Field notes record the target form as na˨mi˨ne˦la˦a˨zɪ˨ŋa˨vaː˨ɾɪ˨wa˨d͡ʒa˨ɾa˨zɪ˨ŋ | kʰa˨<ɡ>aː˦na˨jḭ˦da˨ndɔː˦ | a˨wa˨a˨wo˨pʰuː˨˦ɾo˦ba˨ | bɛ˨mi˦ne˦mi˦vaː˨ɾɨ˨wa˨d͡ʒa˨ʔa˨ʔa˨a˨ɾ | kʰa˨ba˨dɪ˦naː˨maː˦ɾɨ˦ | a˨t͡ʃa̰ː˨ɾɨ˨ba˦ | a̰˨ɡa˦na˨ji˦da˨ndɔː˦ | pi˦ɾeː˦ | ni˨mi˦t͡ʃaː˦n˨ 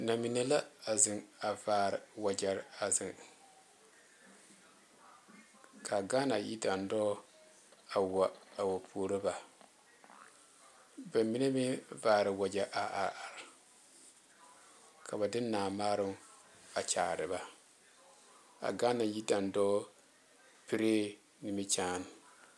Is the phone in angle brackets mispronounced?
no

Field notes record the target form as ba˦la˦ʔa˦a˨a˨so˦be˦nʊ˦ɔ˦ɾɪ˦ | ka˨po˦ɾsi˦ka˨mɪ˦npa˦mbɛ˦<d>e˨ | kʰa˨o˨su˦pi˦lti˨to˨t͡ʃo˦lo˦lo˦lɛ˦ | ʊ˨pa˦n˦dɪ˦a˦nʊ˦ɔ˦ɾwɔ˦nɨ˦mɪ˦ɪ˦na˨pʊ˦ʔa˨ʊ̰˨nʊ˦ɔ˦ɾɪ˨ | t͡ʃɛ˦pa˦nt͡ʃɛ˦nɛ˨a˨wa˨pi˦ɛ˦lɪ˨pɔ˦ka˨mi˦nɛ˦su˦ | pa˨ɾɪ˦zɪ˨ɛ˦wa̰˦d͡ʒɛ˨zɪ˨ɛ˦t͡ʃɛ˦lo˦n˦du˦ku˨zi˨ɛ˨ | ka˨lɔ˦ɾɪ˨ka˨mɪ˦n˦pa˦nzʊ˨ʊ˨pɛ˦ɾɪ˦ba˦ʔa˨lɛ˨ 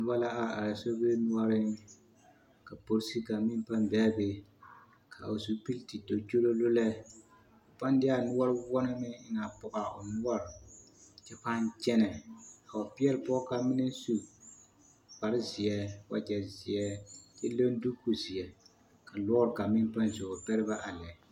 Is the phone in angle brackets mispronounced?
yes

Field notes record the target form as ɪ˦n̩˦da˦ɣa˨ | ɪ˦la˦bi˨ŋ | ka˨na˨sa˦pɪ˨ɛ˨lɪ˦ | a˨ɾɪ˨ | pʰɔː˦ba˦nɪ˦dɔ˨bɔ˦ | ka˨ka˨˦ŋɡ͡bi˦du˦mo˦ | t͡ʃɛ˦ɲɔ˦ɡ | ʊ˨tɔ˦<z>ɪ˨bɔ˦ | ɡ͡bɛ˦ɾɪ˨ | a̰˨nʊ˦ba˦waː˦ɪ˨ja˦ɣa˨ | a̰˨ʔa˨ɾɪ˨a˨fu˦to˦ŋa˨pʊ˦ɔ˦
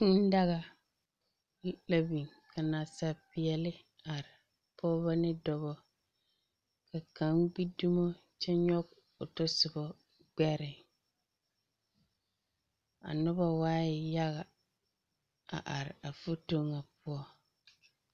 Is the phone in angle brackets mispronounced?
yes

